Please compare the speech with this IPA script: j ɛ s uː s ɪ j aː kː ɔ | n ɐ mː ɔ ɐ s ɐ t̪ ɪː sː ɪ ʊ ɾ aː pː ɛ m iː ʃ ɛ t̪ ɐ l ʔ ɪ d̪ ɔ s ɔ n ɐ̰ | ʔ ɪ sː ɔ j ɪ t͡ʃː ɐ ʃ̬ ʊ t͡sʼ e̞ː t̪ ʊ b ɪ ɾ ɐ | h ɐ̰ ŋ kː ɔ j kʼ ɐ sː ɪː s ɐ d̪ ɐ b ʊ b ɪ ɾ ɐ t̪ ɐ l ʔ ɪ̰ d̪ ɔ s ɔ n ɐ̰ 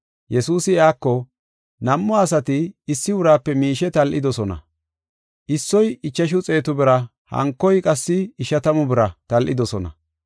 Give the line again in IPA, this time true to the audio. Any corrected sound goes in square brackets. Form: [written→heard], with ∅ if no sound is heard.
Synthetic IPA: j ɛ s uː s ɪ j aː kː ɔ | n ɐ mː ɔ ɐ s ɐ t̪ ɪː sː ɪ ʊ ɾ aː pː ɛ m iː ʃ ɛ t̪ ɐ l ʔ ɪ d̪ ɔ s ɔ n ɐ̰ | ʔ ɪ sː ɔ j ɪ t͡ʃː ɐ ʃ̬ ʊ t͡sʼ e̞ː t̪ ʊ b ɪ ɾ ɐ | h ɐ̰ ŋ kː ɔ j kʼ ɐ sː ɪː [s→ʃ] ɐ [d̪→t̪] ɐ [b→m] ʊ b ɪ ɾ ɐ t̪ ɐ l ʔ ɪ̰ d̪ ɔ s ɔ n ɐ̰

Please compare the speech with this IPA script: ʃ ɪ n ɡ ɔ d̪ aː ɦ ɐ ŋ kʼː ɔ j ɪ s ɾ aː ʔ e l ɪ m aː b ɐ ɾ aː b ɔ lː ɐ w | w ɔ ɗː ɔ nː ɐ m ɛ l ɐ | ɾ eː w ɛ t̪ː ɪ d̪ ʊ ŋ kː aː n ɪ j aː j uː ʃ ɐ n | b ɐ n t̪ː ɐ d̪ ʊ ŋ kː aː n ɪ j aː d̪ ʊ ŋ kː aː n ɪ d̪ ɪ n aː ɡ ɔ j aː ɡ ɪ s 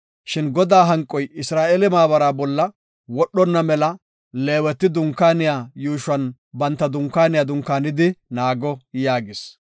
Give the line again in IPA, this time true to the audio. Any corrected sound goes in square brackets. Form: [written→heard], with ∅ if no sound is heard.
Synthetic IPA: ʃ ɪ n ɡ ɔ d̪ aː ɦ ɐ ŋ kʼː ɔ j ɪ s ɾ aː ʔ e l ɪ m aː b ɐ ɾ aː b ɔ lː ɐ [w→∅] | w ɔ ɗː ɔ nː ɐ m ɛ l ɐ | [ɾ→l] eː w ɛ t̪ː ɪ d̪ ʊ ŋ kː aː n ɪ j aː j uː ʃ ɐ n | b ɐ n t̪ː ɐ d̪ ʊ ŋ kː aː n ɪ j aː d̪ ʊ ŋ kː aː n ɪ d̪ ɪ n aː ɡ ɔ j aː ɡ ɪ s

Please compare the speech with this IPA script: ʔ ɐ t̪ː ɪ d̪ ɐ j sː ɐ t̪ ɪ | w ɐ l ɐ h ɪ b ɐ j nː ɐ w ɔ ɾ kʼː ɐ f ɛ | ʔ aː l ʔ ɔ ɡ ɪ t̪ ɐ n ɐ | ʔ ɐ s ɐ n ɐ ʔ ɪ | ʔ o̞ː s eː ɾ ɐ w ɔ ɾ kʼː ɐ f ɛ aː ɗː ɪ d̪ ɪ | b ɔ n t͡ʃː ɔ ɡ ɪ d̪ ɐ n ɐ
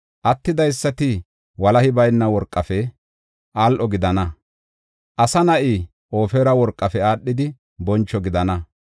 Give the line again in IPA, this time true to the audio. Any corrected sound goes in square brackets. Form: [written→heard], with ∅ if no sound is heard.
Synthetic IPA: ʔ ɐ t̪ː ɪ d̪ ɐ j sː ɐ t̪ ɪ | w ɐ l ɐ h ɪ b ɐ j nː ɐ w ɔ ɾ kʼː ɐ f ɛ | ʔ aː l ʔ ɔ ɡ ɪ [t̪→d̪] ɐ n ɐ | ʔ ɐ s ɐ n ɐ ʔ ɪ | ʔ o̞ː [s→f] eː ɾ ɐ w ɔ ɾ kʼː ɐ f ɛ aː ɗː ɪ d̪ ɪ | b ɔ n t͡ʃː ɔ ɡ ɪ d̪ ɐ n ɐ

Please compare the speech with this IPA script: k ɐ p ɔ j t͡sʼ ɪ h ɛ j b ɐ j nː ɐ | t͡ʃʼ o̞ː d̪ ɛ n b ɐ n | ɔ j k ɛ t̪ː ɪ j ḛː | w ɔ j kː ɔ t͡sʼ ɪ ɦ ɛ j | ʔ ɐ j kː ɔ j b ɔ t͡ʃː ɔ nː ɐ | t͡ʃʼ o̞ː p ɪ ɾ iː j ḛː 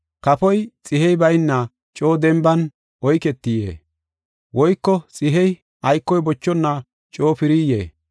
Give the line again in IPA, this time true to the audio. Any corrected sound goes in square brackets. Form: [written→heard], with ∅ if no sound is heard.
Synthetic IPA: k ɐ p ɔ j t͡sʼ ɪ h ɛ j b ɐ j nː ɐ | t͡ʃʼ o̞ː d̪ ɛ [n→m] b ɐ n | ɔ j k ɛ t̪ː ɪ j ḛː | w ɔ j kː ɔ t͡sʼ ɪ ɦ ɛ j | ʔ ɐ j kː ɔ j b ɔ t͡ʃː ɔ nː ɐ | t͡ʃʼ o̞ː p ɪ ɾ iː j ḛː

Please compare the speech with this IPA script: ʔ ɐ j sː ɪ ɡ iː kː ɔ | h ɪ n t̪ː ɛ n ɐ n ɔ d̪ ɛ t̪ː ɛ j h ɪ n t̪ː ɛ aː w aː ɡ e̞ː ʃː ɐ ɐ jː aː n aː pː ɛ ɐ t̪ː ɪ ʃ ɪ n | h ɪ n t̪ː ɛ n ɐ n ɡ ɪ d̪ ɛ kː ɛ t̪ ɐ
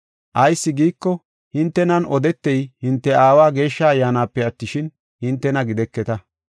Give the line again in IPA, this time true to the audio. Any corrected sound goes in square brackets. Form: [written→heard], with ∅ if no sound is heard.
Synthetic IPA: ʔ ɐ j sː ɪ ɡ iː kː ɔ | h ɪ n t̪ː ɛ n ɐ n ɔ d̪ ɛ t̪ː ɛ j h ɪ n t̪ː ɛ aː w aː ɡ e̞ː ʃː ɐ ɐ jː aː n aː pː ɛ ɐ t̪ː ɪ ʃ ɪ n | h ɪ n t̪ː ɛ n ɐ [n→∅] ɡ ɪ d̪ ɛ kː ɛ t̪ ɐ

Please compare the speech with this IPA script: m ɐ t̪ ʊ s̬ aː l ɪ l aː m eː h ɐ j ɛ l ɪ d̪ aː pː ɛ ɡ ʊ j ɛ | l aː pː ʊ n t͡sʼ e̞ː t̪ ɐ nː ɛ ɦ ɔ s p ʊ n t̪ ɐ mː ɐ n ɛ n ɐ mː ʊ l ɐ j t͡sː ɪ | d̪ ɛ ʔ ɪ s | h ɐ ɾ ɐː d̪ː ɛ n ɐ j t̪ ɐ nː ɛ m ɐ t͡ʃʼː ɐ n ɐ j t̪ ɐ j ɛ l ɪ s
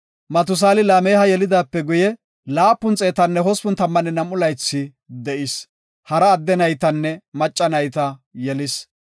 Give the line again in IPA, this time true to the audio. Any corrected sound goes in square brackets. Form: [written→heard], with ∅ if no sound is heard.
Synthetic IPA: m ɐ t̪ ʊ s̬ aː l ɪ l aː m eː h ɐ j ɛ l ɪ d̪ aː pː ɛ ɡ ʊ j ɛ | l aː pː ʊ n t͡sʼ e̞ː t̪ ɐ nː ɛ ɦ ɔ s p ʊ n t̪ ɐ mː ɐ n ɛ n ɐ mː ʊ l ɐ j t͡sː ɪ | d̪ ɛ ʔ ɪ s | h ɐ ɾ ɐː d̪ː ɛ n ɐ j t̪ ɐ nː ɛ m ɐ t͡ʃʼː ɐ n ɐ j t̪ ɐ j ɛ l ɪ s

